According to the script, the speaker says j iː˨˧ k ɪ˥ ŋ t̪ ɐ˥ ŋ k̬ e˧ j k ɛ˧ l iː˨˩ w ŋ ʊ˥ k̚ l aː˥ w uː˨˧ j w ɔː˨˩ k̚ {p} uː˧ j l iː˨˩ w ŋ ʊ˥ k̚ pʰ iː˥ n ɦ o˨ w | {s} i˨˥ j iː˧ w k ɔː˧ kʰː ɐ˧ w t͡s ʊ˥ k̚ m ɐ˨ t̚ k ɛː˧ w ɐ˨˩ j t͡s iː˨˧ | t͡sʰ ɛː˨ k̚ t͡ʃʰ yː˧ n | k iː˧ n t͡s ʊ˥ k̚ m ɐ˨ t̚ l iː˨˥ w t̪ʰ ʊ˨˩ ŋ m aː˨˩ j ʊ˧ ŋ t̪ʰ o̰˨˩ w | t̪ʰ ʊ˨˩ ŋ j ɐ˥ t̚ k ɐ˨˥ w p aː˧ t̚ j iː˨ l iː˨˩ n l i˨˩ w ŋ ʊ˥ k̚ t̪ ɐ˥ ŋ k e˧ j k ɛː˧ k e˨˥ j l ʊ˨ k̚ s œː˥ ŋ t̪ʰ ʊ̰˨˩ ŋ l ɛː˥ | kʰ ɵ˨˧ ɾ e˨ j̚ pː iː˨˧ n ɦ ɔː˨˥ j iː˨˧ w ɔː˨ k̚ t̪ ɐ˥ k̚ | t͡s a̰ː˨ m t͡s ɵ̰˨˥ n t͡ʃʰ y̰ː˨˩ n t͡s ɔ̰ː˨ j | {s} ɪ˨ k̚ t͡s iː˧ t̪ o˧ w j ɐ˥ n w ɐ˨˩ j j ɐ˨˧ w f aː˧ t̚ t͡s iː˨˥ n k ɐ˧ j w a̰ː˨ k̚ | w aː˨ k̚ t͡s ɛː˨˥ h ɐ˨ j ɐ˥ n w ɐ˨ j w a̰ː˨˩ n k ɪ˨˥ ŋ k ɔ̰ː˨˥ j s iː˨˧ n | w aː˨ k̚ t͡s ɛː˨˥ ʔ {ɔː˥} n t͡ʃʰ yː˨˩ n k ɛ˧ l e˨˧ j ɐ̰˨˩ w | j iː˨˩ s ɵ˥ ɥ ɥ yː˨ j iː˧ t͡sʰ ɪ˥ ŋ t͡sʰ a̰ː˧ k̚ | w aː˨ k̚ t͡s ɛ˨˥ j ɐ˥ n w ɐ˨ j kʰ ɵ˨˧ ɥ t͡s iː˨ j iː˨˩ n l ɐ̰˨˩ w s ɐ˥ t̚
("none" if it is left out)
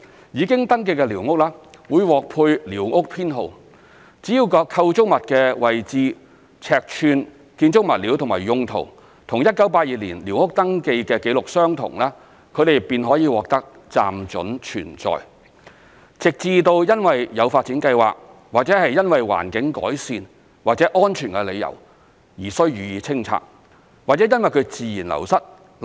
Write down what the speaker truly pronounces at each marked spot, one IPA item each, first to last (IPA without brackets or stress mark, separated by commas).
pʰ, t͡s, t͡s, ɔː˥